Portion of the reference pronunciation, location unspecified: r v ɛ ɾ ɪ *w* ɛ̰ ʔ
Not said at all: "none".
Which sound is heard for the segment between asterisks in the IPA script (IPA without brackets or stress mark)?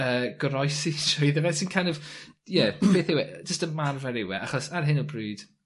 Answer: w